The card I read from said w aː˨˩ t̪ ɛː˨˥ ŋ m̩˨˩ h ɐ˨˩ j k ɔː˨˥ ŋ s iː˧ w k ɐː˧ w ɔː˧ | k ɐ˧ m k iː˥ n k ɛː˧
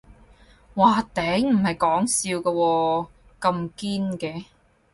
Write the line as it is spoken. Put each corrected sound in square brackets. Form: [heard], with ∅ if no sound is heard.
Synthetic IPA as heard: w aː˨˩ t̪ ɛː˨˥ ŋ m̩˨˩ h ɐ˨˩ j k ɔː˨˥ ŋ s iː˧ w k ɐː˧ w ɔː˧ | k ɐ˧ m k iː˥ n k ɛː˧